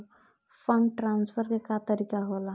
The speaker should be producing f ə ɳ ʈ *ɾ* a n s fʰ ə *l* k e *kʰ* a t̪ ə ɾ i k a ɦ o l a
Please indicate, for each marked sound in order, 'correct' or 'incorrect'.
correct, incorrect: ɾ, incorrect: k

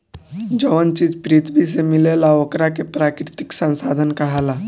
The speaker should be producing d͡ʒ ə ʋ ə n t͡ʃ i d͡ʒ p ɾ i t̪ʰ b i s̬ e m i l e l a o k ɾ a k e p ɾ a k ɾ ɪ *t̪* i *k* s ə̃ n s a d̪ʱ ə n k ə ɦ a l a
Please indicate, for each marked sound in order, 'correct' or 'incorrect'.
correct, correct

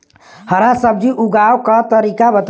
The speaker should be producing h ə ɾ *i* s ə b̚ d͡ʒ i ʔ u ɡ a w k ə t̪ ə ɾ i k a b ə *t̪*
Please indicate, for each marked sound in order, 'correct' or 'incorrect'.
incorrect: a, correct

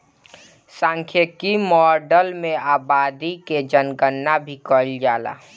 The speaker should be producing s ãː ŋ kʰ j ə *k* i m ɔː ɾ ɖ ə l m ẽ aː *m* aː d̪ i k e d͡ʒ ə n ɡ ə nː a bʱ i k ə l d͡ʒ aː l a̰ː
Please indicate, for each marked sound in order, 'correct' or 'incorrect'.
correct, incorrect: b

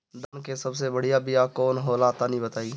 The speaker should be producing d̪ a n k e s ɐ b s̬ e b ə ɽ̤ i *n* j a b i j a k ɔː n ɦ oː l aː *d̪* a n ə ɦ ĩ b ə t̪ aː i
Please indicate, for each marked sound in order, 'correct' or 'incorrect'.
incorrect: none, incorrect: t̪

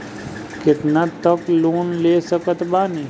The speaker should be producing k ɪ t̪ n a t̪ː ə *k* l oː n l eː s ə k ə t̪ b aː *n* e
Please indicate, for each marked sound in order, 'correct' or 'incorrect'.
correct, correct

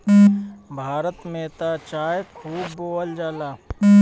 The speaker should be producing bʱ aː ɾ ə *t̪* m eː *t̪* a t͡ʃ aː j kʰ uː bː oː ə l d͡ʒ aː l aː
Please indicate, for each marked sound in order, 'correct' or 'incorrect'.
correct, correct

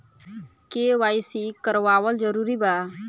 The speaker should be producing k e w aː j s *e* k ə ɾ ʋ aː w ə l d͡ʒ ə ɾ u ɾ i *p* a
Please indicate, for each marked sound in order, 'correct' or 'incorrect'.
incorrect: i, incorrect: b

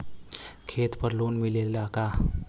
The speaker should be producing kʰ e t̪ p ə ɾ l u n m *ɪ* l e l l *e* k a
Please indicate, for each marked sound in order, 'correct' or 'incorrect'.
incorrect: i, incorrect: a

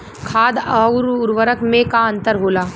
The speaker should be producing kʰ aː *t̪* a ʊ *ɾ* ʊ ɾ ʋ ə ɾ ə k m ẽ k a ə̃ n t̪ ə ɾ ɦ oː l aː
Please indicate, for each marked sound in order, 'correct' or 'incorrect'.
incorrect: d̪, correct

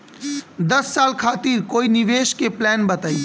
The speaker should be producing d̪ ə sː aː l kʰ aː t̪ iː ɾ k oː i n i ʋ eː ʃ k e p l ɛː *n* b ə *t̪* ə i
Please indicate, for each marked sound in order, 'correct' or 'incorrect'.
correct, correct

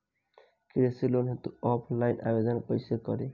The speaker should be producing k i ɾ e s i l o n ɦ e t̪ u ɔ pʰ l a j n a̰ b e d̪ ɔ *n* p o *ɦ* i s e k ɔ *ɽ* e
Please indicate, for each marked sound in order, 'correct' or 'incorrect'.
correct, incorrect: none, incorrect: ɾ

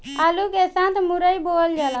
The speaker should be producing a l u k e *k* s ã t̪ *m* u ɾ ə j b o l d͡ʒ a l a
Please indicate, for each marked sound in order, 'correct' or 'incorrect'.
incorrect: none, correct

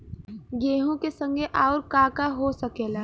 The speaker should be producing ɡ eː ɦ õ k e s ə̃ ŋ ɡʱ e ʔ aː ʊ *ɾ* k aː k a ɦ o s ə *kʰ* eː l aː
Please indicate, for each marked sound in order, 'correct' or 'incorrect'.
correct, incorrect: k

